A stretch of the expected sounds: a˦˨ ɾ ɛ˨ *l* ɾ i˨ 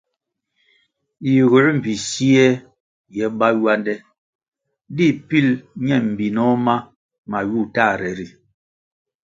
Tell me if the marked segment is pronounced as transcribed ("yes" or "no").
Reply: no